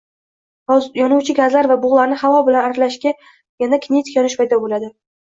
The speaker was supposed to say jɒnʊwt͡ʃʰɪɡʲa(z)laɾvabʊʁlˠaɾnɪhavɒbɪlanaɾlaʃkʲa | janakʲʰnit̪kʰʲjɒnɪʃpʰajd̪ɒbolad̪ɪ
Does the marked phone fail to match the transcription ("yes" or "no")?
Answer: no